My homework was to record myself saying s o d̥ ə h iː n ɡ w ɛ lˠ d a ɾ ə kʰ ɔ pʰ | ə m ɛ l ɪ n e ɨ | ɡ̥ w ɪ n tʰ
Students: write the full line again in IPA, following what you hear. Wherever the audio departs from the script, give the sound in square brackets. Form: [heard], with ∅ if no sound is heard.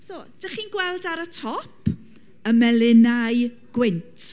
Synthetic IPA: s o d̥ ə [χ] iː n ɡ w ɛ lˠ d a ɾ ə [tʰ] ɔ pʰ | ə m ɛ l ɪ n [a] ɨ | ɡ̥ w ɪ n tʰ